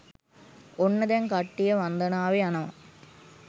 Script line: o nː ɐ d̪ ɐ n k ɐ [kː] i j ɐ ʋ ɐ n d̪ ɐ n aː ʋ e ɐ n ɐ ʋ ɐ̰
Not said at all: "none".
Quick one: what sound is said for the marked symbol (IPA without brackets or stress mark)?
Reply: ʈː